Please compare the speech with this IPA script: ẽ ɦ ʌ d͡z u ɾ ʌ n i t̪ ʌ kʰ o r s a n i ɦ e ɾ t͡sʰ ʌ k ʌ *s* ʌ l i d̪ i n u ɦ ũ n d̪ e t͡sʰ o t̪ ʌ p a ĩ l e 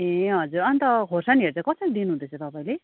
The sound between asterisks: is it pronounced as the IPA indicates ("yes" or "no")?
yes